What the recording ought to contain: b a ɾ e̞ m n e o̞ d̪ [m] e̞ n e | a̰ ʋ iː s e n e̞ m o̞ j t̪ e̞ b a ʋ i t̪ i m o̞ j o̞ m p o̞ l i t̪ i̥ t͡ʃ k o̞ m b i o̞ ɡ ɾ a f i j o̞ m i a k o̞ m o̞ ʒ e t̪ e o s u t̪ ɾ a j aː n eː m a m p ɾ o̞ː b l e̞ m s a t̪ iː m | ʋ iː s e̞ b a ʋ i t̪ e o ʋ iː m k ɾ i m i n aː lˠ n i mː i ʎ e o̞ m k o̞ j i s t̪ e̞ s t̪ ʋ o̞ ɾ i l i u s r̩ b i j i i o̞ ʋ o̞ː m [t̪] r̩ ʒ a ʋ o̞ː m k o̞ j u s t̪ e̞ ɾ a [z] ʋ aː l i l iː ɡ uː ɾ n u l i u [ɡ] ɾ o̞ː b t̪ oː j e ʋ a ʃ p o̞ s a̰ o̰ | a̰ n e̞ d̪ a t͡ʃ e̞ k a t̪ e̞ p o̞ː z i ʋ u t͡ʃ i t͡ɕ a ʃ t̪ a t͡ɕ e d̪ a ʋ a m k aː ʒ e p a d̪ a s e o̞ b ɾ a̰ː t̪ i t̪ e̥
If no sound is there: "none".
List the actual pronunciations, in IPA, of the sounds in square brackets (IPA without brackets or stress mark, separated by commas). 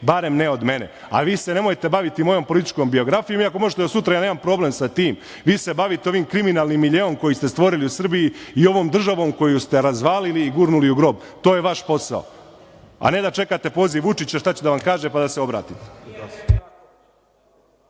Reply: m, d̪, z, ɡ